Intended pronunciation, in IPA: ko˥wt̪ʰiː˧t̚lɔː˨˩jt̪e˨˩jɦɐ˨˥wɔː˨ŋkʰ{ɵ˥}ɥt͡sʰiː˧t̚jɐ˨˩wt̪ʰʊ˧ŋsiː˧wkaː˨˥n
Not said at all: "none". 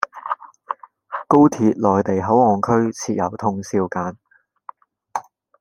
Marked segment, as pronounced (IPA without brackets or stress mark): ɵ˥